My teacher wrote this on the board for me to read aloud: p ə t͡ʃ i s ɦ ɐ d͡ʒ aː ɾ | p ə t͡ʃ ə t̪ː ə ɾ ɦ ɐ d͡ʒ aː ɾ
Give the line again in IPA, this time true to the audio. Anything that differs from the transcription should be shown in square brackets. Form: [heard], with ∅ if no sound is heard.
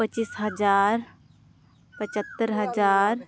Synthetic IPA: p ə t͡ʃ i s ɦ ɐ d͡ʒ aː ɾ | p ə t͡ʃ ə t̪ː ə ɾ ɦ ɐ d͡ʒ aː ɾ